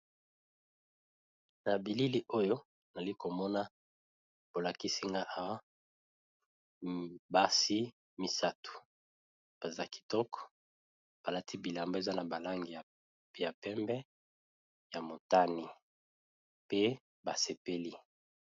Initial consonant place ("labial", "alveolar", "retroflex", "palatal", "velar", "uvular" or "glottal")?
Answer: alveolar